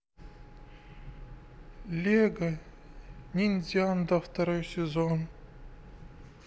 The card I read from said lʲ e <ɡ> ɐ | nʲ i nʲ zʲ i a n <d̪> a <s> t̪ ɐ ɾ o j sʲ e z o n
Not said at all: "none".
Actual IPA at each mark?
ɡ, d̪, f

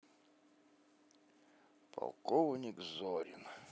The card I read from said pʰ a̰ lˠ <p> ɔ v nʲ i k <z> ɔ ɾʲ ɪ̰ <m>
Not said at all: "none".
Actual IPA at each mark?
k, z, n

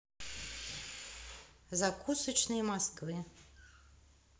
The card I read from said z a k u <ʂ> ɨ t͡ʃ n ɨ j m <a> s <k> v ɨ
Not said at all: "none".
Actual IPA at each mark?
s, a, k

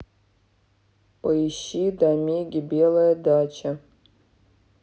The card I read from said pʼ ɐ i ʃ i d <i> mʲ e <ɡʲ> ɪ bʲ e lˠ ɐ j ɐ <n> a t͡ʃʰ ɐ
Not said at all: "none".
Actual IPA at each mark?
a, ɡʲ, d

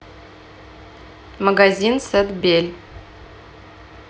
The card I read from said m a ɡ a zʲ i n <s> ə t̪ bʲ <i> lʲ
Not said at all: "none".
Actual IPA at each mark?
s, e

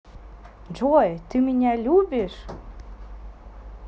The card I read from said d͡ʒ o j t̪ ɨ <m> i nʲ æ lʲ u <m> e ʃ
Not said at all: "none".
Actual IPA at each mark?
m, b

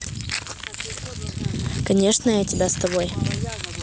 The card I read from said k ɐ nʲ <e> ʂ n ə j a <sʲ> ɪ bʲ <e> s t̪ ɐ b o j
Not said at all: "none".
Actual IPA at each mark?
e, tʲ, a

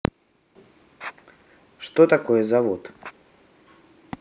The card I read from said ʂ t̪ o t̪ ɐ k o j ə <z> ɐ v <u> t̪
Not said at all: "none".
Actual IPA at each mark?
z, o

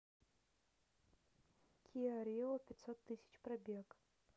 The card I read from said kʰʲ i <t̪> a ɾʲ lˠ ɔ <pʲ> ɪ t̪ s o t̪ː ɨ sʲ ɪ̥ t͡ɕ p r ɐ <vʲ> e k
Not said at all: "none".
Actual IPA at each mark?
none, pʲ, bʲ

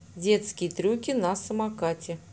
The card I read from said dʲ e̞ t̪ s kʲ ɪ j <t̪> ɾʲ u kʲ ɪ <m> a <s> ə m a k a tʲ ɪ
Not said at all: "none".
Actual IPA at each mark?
t̪, n, s

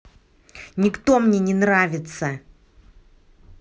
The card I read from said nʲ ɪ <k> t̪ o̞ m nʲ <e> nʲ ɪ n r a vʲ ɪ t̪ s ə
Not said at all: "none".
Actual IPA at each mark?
k, e

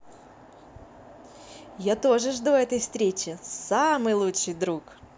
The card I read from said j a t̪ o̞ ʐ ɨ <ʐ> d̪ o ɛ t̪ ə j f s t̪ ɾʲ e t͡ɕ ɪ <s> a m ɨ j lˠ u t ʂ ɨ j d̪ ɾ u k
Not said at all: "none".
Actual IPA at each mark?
ʐ, s

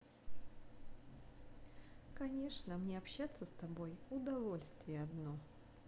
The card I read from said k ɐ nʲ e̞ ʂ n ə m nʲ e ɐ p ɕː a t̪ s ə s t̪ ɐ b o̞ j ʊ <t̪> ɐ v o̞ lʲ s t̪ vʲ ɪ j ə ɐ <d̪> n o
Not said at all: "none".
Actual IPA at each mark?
d̪, d̪

